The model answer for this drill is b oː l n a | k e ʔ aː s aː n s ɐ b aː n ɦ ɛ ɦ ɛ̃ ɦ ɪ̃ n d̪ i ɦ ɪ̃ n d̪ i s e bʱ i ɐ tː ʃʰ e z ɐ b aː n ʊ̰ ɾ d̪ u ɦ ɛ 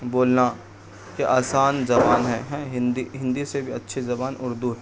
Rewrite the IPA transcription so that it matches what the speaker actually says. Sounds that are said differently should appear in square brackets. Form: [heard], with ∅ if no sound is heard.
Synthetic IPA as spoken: b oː l n a | k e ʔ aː s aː n [z] ɐ b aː n ɦ ɛ ɦ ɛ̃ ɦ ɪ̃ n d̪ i ɦ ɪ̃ n d̪ i s e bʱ i ɐ tː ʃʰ e z ɐ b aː n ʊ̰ ɾ d̪ u ɦ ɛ